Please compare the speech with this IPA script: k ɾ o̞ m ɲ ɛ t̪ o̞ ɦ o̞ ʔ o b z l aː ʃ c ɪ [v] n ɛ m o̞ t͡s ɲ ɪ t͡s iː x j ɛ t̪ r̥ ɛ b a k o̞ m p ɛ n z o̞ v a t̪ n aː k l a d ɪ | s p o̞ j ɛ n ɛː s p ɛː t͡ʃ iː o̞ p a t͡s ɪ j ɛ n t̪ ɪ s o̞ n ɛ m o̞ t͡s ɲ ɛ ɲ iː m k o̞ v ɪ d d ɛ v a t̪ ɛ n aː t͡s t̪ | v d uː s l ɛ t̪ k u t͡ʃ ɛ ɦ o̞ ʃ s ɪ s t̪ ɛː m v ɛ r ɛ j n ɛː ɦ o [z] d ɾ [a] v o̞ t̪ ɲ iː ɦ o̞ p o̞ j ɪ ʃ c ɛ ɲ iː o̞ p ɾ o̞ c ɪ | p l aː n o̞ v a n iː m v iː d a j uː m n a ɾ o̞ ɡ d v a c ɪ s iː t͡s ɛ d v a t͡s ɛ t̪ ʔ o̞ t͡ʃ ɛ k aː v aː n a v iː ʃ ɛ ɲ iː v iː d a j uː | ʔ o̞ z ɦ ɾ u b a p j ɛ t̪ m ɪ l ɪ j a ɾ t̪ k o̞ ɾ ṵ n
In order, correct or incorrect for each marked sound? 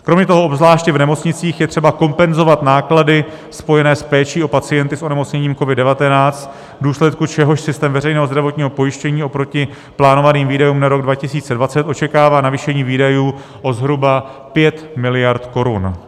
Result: correct, correct, correct

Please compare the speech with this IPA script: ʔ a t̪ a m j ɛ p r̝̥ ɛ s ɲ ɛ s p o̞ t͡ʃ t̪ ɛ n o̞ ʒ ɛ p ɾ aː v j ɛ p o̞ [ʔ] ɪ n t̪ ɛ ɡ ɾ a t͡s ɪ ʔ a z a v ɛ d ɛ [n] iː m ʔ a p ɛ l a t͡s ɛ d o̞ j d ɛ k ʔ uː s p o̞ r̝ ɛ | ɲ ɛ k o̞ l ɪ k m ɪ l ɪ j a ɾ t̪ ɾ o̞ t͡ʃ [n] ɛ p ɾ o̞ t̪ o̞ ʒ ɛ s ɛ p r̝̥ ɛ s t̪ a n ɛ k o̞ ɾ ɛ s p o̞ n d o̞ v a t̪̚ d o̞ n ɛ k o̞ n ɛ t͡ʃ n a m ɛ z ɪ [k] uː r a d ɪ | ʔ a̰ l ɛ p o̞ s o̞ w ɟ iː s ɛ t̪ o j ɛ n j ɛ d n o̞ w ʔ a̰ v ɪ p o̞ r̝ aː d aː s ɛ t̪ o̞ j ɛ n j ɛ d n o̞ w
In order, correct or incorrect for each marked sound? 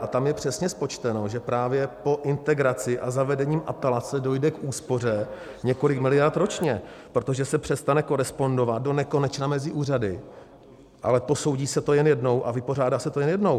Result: correct, incorrect, incorrect, incorrect

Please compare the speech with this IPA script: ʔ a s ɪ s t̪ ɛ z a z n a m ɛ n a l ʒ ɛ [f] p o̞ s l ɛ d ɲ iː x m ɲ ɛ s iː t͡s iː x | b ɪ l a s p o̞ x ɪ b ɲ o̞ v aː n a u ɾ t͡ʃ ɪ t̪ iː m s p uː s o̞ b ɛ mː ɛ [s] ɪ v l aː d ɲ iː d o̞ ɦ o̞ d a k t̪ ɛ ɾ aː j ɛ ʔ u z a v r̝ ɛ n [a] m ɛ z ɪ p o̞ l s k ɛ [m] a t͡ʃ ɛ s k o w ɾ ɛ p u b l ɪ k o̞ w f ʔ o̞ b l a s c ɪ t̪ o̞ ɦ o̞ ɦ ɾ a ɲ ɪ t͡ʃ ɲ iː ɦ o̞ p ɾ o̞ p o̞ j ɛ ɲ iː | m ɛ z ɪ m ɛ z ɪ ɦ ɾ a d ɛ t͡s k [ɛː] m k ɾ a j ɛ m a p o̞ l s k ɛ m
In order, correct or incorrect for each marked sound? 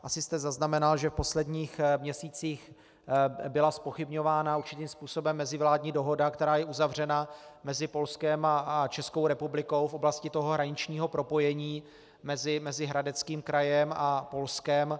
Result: correct, incorrect, correct, correct, incorrect

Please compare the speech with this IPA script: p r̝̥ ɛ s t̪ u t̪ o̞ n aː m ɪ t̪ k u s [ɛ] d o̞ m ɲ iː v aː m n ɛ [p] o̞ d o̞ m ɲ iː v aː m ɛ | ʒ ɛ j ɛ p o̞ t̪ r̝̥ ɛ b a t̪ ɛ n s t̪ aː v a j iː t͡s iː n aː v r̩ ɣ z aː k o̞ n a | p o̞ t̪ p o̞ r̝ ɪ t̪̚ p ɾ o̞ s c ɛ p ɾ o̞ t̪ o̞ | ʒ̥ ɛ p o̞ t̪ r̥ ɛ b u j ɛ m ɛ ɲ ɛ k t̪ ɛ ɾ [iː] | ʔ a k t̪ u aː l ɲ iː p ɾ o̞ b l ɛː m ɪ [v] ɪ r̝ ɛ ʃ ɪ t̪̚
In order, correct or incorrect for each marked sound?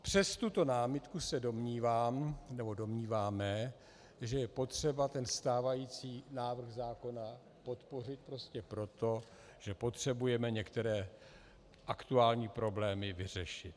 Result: correct, incorrect, incorrect, correct

